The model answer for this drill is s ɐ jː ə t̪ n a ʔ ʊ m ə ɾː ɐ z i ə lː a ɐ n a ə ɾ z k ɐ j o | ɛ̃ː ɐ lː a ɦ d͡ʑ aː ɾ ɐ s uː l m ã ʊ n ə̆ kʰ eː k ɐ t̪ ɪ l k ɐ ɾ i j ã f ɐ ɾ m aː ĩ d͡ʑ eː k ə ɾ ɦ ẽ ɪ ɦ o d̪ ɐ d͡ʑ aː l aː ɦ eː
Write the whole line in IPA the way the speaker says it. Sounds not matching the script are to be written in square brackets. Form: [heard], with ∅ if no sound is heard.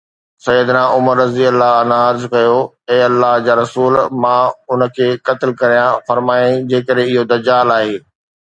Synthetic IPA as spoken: s ɐ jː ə [d̪] n a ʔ ʊ m ə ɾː ɐ z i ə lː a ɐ n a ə ɾ z k ɐ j o | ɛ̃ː ɐ lː a ɦ d͡ʑ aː ɾ ɐ s uː l m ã ʊ n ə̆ kʰ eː k ɐ t̪ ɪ l k ɐ ɾ i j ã f ɐ ɾ m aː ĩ d͡ʑ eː k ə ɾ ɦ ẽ ɪ ɦ o d̪ ɐ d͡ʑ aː l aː ɦ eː

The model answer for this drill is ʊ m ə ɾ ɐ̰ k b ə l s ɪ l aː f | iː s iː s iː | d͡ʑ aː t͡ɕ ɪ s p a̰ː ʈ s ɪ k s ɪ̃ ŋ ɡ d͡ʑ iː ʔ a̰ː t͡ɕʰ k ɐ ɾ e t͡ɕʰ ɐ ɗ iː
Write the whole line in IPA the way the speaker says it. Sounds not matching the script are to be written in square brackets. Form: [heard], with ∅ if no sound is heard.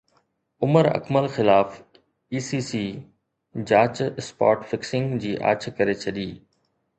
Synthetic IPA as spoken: ʊ m ə ɾ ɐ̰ k [m] ə l [x] ɪ l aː f | iː s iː s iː | d͡ʑ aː t͡ɕ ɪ s p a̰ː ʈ [f] ɪ k s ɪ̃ ŋ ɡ d͡ʑ iː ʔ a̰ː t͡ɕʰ k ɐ ɾ e t͡ɕʰ ɐ ɗ iː

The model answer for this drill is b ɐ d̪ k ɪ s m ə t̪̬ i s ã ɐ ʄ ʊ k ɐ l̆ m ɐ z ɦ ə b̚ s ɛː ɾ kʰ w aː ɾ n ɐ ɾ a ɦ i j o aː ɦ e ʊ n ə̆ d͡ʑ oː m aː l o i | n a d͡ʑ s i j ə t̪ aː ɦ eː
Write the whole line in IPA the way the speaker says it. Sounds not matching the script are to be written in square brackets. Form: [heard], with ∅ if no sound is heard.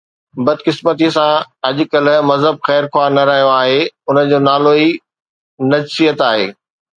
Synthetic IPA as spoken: b ɐ d̪ k ɪ s m ə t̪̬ i s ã ɐ ʄ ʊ k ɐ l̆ m ɐ z ɦ ə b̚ [x] ɛː ɾ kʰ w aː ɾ n ɐ ɾ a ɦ i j o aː ɦ e ʊ n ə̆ d͡ʑ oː [n] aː l o i | n [ɐ] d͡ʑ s i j ə t̪ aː ɦ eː

